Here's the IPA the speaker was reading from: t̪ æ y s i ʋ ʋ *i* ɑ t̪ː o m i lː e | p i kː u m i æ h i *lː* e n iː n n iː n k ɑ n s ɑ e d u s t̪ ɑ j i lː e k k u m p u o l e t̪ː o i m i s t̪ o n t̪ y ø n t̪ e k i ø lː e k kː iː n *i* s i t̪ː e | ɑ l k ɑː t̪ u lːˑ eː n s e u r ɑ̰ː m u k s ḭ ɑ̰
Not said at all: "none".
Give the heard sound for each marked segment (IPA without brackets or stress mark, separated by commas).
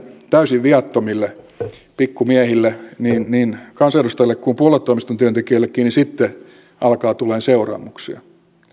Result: i, lː, i